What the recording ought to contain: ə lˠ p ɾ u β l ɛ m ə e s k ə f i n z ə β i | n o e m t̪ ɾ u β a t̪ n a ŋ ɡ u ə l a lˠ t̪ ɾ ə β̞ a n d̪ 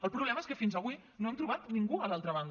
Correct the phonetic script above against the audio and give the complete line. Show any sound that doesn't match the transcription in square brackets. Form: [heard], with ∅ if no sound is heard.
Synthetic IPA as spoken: ə lˠ p ɾ u β l ɛ m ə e s k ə f i n z ə β i | n o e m t̪ ɾ u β a t̪ n [i] ŋ ɡ u ə l a lˠ t̪ ɾ ə β̞ a n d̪